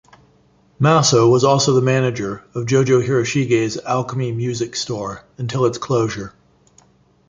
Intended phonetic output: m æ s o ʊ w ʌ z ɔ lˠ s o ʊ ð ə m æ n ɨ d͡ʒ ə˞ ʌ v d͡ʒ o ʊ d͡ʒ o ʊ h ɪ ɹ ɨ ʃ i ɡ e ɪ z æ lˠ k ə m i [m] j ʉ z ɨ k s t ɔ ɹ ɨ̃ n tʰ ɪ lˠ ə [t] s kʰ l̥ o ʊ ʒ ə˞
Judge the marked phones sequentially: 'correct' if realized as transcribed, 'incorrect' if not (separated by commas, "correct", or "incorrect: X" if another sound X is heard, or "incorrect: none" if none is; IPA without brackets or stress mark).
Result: correct, correct